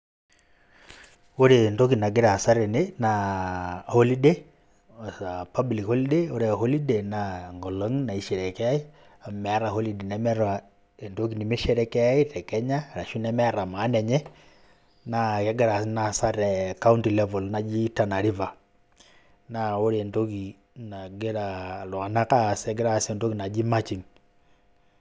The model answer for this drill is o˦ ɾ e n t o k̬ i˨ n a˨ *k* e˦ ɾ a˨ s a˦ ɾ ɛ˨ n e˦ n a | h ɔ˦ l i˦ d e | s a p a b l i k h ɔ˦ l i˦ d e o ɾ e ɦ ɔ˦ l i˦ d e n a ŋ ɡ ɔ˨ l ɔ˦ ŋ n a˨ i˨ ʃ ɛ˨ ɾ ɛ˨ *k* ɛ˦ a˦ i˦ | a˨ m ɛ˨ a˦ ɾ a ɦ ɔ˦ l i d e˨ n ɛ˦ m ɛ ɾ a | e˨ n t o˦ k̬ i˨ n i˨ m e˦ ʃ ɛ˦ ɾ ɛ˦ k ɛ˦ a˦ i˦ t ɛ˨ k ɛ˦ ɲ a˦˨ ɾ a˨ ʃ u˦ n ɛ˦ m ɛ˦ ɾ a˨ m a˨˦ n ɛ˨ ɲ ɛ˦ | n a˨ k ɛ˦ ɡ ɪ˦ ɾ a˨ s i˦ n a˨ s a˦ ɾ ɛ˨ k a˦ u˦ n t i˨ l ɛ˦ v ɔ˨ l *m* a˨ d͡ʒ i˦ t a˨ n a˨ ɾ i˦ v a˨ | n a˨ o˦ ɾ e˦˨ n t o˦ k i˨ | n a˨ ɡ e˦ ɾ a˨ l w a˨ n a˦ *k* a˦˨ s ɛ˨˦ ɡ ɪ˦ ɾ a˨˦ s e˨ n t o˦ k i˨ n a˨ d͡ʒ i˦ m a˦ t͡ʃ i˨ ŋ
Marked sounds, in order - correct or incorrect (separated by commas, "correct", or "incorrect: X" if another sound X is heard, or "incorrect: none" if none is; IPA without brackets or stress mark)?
incorrect: ɡ, correct, incorrect: n, correct